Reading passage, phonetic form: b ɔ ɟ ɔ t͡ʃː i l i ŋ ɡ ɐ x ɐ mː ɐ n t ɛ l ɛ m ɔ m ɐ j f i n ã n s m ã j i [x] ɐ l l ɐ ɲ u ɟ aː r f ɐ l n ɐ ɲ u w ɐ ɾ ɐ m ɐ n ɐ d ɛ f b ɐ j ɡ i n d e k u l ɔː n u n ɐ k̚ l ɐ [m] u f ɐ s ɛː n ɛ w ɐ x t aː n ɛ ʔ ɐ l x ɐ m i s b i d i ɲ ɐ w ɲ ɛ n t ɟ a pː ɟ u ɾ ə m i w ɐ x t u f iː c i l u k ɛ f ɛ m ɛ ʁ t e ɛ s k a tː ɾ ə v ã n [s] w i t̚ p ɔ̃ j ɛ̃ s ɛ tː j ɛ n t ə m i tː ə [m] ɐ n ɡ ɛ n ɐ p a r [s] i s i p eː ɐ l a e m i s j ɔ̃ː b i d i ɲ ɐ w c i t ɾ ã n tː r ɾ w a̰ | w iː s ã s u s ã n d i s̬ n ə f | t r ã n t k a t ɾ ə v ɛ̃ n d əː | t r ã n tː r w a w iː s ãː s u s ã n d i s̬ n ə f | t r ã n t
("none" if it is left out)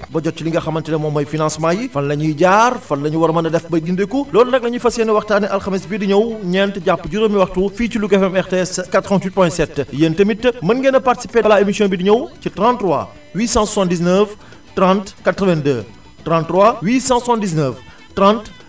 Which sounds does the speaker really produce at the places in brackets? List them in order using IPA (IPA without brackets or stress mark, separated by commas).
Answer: f, ɲ, t, m, t